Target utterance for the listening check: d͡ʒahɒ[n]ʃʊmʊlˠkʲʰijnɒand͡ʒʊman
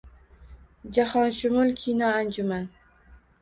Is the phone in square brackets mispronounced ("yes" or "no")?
no